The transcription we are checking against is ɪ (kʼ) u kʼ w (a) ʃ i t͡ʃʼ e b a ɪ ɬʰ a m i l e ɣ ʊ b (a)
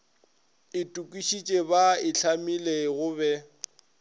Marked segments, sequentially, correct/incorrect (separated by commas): incorrect, incorrect, incorrect